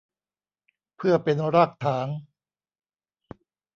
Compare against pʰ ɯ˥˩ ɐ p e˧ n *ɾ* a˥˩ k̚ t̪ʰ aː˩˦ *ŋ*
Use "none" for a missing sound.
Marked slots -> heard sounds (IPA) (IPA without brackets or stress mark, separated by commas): ɾ, ŋ